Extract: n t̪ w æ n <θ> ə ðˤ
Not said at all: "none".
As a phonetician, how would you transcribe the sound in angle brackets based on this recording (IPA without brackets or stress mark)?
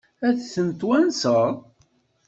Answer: s